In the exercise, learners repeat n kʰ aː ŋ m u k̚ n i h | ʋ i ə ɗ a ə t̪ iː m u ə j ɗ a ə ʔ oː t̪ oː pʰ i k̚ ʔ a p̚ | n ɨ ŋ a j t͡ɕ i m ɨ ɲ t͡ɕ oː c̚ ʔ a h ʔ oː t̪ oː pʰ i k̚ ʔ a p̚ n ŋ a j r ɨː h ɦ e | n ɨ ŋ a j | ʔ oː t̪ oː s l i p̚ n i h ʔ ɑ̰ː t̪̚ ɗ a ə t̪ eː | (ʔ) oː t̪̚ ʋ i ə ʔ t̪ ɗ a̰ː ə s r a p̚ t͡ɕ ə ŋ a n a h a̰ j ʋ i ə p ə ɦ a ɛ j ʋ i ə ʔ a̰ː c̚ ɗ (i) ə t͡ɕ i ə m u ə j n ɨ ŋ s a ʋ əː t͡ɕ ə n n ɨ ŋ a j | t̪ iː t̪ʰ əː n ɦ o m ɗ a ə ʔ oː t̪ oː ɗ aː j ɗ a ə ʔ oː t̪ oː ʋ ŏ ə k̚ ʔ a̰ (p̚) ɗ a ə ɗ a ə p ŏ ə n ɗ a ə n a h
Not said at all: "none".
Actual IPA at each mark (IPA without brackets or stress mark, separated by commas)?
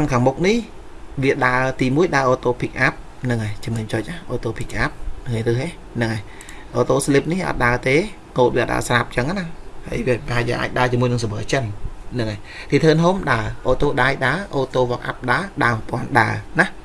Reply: k, a, p̚